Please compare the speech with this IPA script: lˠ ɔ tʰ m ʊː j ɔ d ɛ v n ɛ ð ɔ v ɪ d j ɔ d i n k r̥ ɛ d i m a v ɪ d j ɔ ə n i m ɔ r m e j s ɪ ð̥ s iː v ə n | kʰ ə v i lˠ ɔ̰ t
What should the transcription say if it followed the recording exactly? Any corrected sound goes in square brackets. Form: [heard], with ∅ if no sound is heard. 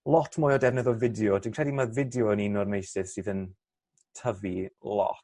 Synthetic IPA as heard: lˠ ɔ tʰ m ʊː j ɔ d ɛ v n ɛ ð ɔ v ɪ d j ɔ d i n k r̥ ɛ d i m a v ɪ d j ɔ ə n i [n] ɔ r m e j s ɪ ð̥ s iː [ð] ə n | [tʰ] ə v i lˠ ɔ̰ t